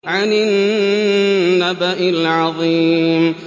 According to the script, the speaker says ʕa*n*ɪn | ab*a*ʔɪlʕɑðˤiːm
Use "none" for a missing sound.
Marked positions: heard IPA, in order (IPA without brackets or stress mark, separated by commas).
n, a